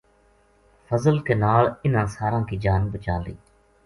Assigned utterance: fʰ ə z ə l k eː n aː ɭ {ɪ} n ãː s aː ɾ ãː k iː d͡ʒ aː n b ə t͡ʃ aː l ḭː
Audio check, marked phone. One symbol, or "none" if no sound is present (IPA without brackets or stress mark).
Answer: ɪ